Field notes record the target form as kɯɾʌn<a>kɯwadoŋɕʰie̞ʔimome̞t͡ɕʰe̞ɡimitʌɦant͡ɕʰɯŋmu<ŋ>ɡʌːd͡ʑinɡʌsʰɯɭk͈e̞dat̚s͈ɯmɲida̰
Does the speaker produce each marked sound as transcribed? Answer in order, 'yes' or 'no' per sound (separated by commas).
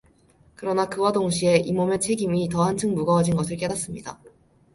yes, no